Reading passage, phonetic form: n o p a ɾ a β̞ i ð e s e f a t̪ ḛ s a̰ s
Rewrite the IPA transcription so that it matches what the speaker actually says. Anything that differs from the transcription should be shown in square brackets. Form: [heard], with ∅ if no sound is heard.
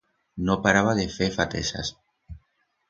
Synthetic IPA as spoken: n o p a ɾ a β̞ [a] ð e [f] e f a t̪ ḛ s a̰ s